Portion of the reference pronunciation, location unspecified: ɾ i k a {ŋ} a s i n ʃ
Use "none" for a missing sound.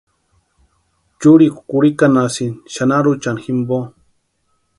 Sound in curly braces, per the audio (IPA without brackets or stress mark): n